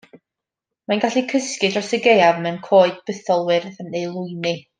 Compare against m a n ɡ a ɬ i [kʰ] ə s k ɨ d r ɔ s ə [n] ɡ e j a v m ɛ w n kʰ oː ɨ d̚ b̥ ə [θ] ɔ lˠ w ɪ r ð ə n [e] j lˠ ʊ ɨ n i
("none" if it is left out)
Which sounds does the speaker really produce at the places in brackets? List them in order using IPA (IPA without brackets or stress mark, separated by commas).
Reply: kʰ, none, θ, e